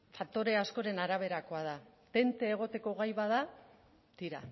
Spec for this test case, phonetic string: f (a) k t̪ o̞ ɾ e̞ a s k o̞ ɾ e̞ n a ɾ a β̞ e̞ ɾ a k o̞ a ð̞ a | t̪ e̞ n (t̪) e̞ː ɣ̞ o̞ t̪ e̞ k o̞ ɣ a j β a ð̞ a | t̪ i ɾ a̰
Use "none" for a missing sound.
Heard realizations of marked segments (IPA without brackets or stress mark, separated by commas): a, t̪